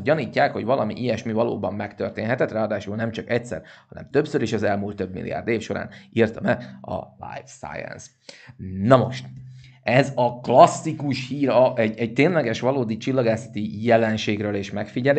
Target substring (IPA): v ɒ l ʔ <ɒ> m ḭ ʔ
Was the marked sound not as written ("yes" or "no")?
no